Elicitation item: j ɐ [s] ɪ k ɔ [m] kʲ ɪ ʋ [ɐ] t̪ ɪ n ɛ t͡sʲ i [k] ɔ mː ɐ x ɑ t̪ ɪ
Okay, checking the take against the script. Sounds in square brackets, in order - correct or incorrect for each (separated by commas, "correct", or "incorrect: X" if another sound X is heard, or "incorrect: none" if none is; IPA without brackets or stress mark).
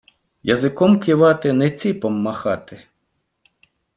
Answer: incorrect: z, correct, incorrect: ɑ, incorrect: p